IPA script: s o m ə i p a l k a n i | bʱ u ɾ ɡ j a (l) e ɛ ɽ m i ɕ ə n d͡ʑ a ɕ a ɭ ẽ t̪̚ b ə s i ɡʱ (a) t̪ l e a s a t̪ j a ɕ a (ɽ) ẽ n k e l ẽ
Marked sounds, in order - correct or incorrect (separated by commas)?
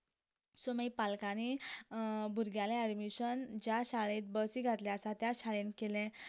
correct, correct, incorrect